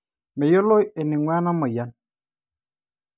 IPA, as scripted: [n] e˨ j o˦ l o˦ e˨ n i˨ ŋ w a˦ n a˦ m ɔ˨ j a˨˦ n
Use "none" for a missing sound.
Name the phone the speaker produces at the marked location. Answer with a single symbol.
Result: m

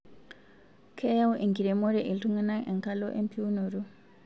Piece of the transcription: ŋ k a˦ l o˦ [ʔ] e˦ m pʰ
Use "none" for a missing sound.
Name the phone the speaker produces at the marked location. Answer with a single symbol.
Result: ʔ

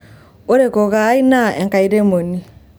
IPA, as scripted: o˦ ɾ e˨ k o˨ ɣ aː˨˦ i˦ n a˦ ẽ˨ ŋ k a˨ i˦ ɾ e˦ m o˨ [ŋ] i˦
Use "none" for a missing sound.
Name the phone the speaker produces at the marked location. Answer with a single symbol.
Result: n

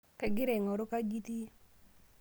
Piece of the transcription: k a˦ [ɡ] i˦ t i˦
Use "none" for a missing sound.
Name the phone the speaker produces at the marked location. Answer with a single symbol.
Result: ɡ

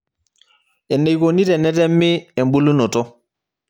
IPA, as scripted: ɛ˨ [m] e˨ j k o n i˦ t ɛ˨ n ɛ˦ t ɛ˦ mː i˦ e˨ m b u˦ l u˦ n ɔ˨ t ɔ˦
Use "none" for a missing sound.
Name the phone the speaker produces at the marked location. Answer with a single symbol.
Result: n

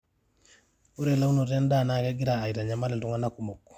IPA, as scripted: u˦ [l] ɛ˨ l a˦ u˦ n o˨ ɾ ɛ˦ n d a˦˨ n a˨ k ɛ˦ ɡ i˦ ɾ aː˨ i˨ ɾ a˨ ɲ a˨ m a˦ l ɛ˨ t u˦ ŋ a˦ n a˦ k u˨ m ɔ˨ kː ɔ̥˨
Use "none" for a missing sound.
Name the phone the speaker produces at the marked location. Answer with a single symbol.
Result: ɾ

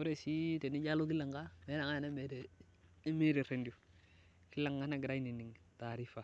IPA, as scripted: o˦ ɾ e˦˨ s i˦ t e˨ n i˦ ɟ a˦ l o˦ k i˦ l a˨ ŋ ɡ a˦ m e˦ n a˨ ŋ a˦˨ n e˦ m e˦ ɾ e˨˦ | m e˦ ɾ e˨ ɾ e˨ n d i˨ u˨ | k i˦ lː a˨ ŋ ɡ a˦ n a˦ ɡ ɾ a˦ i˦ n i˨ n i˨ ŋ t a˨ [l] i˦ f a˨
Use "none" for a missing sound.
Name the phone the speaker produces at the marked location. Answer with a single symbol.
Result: ɾ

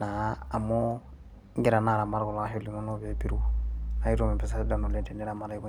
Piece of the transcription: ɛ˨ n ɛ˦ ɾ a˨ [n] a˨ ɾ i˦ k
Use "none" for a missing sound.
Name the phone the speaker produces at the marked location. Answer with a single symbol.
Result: m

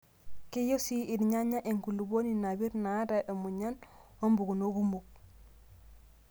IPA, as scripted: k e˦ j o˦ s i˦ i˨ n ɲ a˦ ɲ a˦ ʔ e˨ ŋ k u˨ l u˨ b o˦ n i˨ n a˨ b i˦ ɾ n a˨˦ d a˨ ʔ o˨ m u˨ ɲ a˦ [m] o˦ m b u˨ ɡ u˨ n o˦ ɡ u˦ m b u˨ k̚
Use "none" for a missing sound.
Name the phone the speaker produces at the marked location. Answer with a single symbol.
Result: n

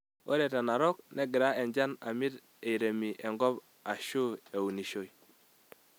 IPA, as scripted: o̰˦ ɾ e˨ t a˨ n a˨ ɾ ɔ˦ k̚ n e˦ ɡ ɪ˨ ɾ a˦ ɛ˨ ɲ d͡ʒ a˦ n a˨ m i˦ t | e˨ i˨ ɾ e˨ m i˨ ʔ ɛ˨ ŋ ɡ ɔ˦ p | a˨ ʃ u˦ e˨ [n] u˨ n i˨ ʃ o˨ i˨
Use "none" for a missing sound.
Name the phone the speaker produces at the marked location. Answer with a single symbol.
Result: none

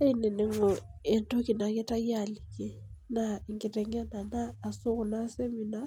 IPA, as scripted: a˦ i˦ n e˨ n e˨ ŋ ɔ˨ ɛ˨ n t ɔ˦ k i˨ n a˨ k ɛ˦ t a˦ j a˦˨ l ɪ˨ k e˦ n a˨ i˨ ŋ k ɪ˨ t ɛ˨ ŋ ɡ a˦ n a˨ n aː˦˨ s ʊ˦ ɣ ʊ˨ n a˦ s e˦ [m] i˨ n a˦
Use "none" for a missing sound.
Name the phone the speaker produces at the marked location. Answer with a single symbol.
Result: m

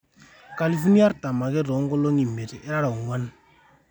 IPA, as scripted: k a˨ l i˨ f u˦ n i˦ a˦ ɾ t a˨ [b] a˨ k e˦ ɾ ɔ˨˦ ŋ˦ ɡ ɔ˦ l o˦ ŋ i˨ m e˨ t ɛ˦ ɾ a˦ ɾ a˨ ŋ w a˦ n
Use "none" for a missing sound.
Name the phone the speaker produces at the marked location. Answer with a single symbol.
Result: m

